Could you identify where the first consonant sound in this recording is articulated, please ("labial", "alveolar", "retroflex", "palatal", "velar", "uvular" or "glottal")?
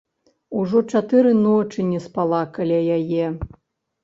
retroflex